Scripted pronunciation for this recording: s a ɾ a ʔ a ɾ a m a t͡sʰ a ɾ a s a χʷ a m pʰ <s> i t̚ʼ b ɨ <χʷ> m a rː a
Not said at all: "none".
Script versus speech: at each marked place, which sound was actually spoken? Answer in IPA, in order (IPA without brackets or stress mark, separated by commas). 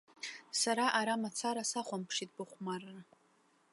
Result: ʂ, χʷ